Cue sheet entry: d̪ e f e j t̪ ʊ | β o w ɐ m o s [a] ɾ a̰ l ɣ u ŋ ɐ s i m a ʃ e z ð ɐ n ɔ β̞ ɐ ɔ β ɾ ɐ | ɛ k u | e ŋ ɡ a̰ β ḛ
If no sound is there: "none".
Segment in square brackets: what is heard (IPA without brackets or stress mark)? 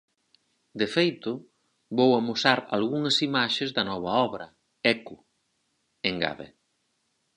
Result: a